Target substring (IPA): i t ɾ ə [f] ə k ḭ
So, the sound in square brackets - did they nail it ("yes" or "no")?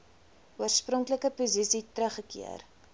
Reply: no